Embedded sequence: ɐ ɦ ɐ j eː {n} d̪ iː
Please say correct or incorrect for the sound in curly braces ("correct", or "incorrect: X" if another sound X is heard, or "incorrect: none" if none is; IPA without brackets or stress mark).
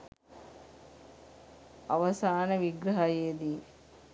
incorrect: none